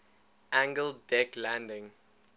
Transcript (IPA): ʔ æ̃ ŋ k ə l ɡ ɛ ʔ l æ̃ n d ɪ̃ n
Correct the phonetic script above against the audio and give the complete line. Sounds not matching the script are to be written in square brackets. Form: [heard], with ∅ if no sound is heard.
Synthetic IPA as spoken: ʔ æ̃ ŋ [ɡ] ə l [d] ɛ [k] l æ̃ n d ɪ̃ [ŋ]